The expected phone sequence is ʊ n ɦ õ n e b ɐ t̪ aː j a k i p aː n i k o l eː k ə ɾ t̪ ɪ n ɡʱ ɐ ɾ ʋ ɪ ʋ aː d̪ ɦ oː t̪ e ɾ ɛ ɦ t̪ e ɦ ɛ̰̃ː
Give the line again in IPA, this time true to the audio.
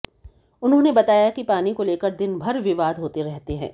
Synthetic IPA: ʊ n ɦ õ n e b ɐ t̪ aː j a k i p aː n i k o l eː k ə ɾ d̪ ɪ n bʱ ɐ ɾ ʋ ɪ ʋ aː d̪ ɦ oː t̪ e ɾ ɛ ɦ t̪ e ɦ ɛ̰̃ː